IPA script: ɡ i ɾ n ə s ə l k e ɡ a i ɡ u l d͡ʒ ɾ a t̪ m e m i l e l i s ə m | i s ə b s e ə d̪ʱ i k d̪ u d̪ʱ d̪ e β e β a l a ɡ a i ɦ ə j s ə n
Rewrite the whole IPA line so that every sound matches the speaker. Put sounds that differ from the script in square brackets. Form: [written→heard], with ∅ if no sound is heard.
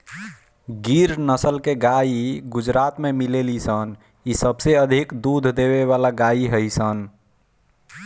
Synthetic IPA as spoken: ɡ i ɾ n ə s ə l k e ɡ a i ɡ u [l→∅] d͡ʒ ɾ a t̪ m e m i l e l i s ə [m→n] | i s ə b s e ə d̪ʱ i k d̪ u d̪ʱ d̪ e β e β a l a ɡ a i ɦ ə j s ə n